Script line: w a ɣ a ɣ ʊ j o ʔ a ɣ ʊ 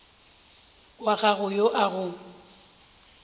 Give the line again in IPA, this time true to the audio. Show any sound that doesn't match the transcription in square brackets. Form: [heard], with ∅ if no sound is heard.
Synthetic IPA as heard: w a ɣ a ɣ ʊ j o ʔ a ɣ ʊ